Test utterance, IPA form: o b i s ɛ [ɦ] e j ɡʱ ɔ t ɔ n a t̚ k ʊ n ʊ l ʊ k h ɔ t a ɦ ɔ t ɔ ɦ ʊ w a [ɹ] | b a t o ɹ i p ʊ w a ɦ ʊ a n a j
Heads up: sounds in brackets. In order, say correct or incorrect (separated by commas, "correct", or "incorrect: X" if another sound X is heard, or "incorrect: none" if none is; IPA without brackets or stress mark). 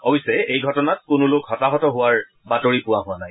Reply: incorrect: none, correct